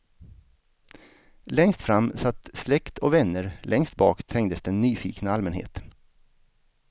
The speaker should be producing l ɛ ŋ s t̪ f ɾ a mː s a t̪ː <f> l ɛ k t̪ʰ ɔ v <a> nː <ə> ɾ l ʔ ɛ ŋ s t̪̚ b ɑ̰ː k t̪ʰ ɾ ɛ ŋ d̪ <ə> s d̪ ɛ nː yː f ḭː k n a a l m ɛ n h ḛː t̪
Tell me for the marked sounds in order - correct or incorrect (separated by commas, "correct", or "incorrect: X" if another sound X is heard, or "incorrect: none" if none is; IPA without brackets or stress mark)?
incorrect: s, incorrect: ɛ, correct, correct